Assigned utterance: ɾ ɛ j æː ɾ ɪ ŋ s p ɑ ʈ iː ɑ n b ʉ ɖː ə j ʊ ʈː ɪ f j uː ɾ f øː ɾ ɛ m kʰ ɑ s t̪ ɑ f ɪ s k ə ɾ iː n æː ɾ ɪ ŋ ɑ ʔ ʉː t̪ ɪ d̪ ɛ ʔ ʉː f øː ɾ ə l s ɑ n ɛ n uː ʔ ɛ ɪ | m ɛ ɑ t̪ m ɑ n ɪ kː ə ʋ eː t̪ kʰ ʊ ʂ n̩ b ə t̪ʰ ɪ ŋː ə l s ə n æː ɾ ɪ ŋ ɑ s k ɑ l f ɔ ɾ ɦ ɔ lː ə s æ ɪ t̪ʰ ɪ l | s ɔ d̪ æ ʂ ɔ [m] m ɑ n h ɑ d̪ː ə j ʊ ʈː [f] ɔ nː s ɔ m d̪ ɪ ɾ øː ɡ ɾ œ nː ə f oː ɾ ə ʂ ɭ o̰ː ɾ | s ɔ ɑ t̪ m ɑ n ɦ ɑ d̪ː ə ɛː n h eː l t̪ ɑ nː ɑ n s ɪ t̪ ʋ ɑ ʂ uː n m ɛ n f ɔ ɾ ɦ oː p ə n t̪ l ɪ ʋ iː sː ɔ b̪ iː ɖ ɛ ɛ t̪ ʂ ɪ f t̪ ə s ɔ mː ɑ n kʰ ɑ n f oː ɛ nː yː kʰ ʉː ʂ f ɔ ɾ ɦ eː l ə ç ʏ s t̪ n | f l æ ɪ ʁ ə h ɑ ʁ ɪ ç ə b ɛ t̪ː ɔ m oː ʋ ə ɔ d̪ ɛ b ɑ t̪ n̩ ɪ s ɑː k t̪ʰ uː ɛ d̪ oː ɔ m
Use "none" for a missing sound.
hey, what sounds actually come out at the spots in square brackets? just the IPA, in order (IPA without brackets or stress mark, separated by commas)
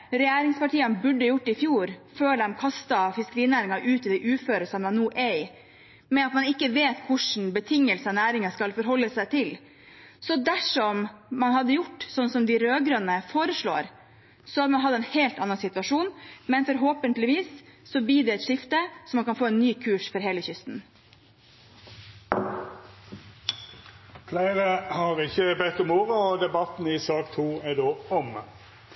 m, s